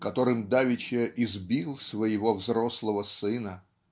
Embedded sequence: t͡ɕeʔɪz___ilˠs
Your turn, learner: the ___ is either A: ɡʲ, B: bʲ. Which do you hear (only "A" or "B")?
B